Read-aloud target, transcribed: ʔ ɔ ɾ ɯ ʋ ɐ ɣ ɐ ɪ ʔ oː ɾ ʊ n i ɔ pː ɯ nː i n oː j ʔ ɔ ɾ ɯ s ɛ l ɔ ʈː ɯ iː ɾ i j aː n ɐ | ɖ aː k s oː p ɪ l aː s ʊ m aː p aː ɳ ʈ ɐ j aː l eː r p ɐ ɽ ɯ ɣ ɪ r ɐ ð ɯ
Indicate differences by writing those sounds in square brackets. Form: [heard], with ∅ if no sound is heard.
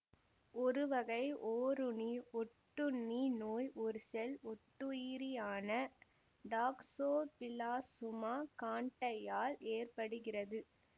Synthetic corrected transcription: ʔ ɔ ɾ ɯ ʋ ɐ ɣ ɐ ɪ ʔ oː ɾ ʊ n i ɔ [ʈː] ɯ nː i n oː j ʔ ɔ ɾ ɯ s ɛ l ɔ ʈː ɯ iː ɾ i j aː n ɐ | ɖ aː k s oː p ɪ l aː s ʊ m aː [k] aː ɳ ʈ ɐ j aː l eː r p ɐ ɽ ɯ ɣ ɪ r ɐ ð ɯ

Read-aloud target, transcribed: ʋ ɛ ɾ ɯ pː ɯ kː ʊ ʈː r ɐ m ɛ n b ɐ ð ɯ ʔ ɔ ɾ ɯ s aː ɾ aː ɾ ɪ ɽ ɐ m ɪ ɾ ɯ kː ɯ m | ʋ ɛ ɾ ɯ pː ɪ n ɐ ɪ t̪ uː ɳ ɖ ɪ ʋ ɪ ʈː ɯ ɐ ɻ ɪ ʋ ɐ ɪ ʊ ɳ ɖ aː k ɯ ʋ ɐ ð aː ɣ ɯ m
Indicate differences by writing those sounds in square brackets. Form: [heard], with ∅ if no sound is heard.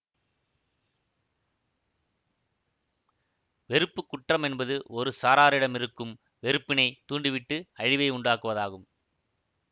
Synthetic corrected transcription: ʋ ɛ ɾ ɯ pː ɯ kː ʊ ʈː r ɐ m ɛ n b ɐ ð ɯ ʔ ɔ ɾ ɯ s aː ɾ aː ɾ ɪ ɽ ɐ m ɪ ɾ ɯ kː ɯ m | ʋ ɛ ɾ ɯ pː ɪ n ɐ ɪ t̪ uː ɳ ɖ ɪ ʋ ɪ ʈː ɯ ɐ ɻ ɪ ʋ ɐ ɪ ʊ ɳ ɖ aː k ɯ ʋ ɐ ð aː ɣ ɯ m

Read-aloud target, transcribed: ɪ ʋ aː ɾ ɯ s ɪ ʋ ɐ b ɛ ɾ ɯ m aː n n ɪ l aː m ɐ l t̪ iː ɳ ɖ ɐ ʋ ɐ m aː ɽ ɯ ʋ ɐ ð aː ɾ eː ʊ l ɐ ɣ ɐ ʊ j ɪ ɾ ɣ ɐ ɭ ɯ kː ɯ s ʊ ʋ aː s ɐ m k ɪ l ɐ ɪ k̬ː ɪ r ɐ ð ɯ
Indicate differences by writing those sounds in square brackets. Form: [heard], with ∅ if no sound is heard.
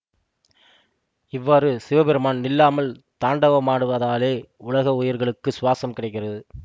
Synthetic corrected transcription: ɪ [ʋː] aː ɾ ɯ s ɪ ʋ ɐ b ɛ ɾ ɯ m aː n n ɪ [lː] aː m ɐ l t̪ [aː] ɳ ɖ ɐ ʋ ɐ m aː ɽ ɯ ʋ ɐ ð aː [l] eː ʊ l ɐ ɣ ɐ ʊ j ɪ ɾ ɣ ɐ ɭ ɯ kː ɯ s ʊ ʋ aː s ɐ m k ɪ [ɽ] ɐ ɪ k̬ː ɪ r ɐ ð ɯ

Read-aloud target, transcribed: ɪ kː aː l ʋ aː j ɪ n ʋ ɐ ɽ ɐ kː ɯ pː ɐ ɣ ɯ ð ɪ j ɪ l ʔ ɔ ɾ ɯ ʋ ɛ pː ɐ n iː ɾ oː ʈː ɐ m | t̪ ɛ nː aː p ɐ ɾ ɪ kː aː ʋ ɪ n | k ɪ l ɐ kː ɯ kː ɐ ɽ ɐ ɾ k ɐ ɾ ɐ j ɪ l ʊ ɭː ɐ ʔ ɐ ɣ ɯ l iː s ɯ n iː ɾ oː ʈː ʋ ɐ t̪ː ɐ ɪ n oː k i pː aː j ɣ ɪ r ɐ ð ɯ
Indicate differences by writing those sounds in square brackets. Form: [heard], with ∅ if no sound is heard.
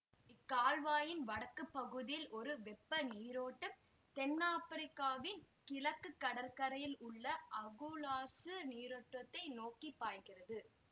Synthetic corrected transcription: ɪ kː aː l ʋ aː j ɪ n ʋ ɐ ɽ ɐ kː ɯ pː ɐ ɣ ɯ ð ɪ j ɪ l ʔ ɔ ɾ ɯ ʋ ɛ pː ɐ n iː ɾ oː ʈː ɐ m | t̪ ɛ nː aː p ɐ ɾ ɪ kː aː ʋ ɪ n | k ɪ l ɐ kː ɯ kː ɐ ɽ ɐ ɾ k ɐ ɾ ɐ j ɪ l ʊ ɭː ɐ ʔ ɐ ɣ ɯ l [aː] s ɯ n iː ɾ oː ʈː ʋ ɐ t̪ː ɐ ɪ n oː k i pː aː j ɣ ɪ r ɐ ð ɯ

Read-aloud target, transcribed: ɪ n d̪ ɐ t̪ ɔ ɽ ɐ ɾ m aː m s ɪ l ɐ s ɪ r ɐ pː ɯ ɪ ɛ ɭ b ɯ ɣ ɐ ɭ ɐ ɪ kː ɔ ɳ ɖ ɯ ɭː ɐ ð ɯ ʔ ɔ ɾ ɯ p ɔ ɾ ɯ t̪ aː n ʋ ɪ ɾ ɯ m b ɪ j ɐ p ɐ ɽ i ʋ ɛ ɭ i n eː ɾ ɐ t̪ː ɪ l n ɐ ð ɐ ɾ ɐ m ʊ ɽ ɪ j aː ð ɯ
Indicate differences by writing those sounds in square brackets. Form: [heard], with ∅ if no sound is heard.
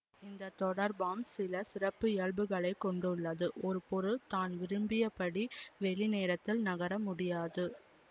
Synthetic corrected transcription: ɪ n d̪ ɐ t̪ ɔ ɽ ɐ ɾ [b] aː m s ɪ l ɐ s ɪ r ɐ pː ɯ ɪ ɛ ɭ b ɯ ɣ ɐ ɭ ɐ ɪ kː ɔ ɳ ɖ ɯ ɭː ɐ ð ɯ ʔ ɔ ɾ ɯ p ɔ ɾ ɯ t̪ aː n ʋ ɪ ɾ ɯ m b ɪ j ɐ p ɐ ɽ i ʋ ɛ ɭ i n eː ɾ ɐ t̪ː ɪ l n ɐ [ɣ] ɐ ɾ ɐ m ʊ ɽ ɪ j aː ð ɯ

